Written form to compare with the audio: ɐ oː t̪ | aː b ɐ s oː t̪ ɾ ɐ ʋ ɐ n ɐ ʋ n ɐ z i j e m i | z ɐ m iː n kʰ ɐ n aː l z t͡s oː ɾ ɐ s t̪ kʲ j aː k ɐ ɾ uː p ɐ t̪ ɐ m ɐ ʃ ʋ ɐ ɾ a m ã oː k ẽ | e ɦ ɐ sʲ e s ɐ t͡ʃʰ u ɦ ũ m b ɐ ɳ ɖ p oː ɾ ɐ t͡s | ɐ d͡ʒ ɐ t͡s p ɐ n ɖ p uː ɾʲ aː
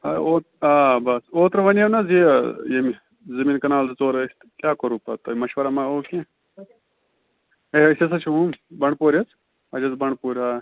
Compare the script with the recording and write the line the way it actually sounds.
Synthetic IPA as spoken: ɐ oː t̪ | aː b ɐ s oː t̪ ɾ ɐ ʋ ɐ n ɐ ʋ n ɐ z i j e m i | z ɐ m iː n k ɐ n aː l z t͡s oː ɾ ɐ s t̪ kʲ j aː k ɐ ɾ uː p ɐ t̪ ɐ m ɐ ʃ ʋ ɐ ɾ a m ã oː k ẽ | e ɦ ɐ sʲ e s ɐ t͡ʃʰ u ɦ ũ m b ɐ ɳ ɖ p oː ɾ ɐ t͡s | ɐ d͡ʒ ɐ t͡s b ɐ ɳ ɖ p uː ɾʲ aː